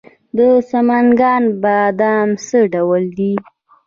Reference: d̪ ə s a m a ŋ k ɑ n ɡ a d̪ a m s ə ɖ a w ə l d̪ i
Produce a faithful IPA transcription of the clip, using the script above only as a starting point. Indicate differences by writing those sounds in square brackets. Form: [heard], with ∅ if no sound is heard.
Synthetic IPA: d̪ ə s a m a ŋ [ɡ] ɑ n [b] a d̪ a m s ə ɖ a w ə l d̪ i